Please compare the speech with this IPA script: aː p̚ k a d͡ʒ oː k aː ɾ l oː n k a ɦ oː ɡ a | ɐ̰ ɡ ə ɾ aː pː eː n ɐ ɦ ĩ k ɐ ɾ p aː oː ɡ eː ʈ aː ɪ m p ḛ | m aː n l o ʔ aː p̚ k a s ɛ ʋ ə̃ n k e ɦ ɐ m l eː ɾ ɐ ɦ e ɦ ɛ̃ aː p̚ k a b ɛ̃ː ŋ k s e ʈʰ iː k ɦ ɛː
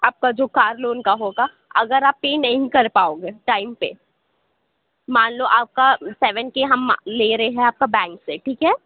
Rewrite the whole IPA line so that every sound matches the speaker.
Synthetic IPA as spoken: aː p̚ k a d͡ʒ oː k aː ɾ l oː n k a ɦ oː ɡ a | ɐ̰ ɡ ə ɾ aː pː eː n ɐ ɦ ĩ k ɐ ɾ p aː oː ɡ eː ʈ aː ɪ m p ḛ | m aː n l o ʔ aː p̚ k a s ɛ ʋ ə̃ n k e ɦ ɐ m l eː ɾ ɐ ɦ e ɦ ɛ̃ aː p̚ k a b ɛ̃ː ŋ k s e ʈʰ iː k ɦ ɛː

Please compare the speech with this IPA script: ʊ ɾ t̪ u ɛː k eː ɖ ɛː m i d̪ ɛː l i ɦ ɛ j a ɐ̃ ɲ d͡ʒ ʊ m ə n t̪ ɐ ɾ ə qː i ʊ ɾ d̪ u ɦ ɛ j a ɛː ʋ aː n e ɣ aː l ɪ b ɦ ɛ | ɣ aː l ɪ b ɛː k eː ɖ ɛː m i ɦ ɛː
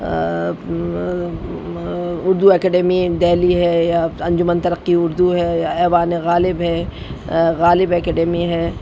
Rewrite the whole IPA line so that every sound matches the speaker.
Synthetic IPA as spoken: ʊ ɾ d̪ u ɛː k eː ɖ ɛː m i d̪ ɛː l i ɦ ɛ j a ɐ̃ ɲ d͡ʒ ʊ m ə n t̪ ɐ ɾ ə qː i ʊ ɾ d̪ u ɦ ɛ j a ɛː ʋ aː n e ɣ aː l ɪ b ɦ ɛ | ɣ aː l ɪ b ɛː k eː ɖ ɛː m i ɦ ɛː

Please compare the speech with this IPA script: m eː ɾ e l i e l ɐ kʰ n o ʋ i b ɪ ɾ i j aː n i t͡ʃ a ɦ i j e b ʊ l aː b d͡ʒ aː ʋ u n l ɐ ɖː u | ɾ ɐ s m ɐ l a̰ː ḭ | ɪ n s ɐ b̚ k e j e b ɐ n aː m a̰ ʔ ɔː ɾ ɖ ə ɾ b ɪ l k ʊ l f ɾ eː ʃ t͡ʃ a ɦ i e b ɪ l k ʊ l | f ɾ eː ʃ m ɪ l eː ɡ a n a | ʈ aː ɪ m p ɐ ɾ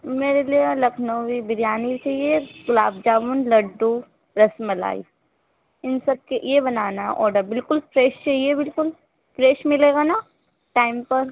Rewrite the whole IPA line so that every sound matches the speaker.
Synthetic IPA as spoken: m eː ɾ e l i e l ɐ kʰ n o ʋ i b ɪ ɾ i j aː n i t͡ʃ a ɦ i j e ɡ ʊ l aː b d͡ʒ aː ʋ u n l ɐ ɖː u | ɾ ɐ s m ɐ l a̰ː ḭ | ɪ n s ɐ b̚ k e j e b ɐ n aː n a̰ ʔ ɔː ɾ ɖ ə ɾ b ɪ l k ʊ l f ɾ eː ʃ t͡ʃ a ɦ i e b ɪ l k ʊ l | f ɾ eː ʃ m ɪ l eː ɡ a n a | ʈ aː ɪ m p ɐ ɾ

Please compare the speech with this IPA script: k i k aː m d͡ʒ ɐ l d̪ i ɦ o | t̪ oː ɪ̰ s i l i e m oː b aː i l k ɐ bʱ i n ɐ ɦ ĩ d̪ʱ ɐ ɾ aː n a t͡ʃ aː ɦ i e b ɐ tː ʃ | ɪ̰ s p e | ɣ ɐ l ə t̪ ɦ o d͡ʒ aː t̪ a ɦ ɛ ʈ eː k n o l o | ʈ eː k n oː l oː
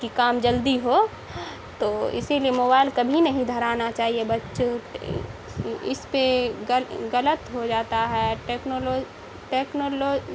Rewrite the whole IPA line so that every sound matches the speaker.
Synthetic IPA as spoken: k i k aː m d͡ʒ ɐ l d̪ i ɦ o | t̪ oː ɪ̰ s i l i e m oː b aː ɪ l k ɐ bʱ i n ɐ ɦ ĩ d̪ʱ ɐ ɾ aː n a t͡ʃ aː ɦ i e b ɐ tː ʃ | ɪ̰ s p e | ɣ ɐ l ə t̪ ɦ o d͡ʒ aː t̪ a ɦ ɛ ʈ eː k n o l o | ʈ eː k n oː l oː

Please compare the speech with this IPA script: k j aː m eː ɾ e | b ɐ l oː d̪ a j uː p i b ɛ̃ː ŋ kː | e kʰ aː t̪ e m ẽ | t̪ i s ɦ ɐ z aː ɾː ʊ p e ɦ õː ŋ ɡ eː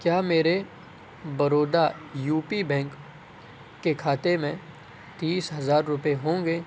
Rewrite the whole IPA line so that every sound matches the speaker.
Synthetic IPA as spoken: k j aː m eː ɾ e | b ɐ ɾ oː d̪ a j uː p i b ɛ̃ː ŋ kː | e kʰ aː t̪ e m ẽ | t̪ iː s ɦ ɐ z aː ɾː ʊ p e ɦ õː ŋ ɡ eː

